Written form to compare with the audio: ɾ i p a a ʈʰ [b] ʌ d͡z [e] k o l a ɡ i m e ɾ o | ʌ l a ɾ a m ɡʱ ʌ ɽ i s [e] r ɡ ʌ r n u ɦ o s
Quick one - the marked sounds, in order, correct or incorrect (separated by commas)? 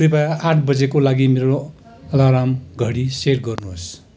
correct, correct, correct